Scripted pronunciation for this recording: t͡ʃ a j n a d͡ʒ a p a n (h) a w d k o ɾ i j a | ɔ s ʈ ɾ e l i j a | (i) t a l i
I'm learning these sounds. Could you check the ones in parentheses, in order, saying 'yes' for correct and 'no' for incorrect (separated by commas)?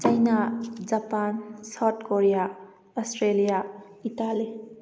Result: no, yes